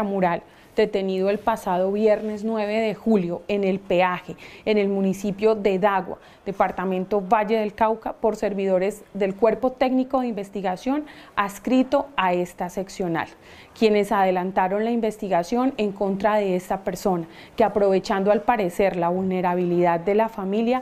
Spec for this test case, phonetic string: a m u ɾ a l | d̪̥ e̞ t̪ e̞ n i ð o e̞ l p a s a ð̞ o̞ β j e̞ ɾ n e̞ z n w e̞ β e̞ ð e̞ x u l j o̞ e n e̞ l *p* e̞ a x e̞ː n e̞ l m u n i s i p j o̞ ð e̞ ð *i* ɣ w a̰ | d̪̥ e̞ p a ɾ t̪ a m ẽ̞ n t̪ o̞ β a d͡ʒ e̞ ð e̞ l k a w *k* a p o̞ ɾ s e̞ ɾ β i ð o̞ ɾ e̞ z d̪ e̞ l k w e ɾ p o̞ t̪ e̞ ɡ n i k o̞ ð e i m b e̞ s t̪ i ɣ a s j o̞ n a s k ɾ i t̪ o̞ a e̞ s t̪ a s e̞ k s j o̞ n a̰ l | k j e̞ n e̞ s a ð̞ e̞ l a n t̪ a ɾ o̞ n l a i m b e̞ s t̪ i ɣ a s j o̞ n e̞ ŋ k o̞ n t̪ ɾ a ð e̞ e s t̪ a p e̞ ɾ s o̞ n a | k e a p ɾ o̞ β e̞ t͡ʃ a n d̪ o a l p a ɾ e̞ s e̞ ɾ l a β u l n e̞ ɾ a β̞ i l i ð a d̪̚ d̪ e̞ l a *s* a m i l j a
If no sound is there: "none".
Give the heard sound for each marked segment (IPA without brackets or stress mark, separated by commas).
p, a, k, f